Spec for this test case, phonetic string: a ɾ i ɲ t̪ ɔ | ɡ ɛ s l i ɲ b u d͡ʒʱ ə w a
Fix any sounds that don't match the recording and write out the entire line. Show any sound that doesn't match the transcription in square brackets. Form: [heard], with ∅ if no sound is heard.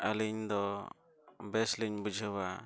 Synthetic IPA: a [l] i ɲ [d̪] ɔ | [b] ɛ s l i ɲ b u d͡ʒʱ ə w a